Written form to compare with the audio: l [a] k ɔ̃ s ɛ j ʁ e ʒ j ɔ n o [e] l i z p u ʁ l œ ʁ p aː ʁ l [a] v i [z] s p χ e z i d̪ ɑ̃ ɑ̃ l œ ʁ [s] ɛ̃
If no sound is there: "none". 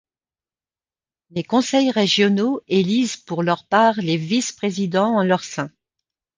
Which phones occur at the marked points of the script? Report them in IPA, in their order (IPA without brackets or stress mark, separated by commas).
e, e, e, none, s